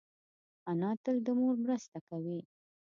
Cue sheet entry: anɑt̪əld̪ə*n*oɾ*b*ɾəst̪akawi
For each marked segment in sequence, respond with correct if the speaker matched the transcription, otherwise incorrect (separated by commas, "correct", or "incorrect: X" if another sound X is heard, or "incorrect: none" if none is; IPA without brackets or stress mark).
incorrect: m, incorrect: m